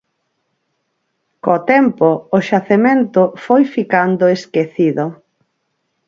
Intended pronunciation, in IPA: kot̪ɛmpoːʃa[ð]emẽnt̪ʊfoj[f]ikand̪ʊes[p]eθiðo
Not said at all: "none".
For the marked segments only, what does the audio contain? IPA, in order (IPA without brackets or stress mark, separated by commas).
θ, f, k